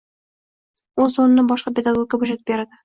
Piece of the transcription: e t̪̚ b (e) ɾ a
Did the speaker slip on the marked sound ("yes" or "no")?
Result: no